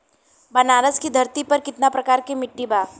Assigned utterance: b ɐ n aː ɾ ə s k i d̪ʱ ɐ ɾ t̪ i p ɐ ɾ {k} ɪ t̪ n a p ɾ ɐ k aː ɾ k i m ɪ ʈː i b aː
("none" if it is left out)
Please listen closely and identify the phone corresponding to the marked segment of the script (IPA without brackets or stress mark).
k